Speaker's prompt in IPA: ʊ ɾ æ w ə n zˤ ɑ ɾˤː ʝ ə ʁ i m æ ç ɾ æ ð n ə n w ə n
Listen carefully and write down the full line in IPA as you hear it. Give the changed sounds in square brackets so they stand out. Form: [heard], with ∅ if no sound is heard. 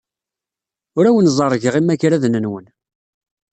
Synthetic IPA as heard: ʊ ɾ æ w ə n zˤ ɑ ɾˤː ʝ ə ʁ i m æ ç ɾ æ ð n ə n w ə n